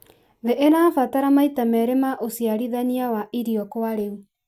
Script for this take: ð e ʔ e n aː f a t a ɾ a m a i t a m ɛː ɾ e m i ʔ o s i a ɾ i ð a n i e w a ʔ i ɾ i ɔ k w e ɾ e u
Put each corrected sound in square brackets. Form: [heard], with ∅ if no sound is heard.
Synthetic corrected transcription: ð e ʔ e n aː f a t a ɾ a m a i t a m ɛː ɾ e m [a] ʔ o s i a ɾ i ð a n i [a] w a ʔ i ɾ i ɔ k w [a] ɾ e u